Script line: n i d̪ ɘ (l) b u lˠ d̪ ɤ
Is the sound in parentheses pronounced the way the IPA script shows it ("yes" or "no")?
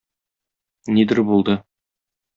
no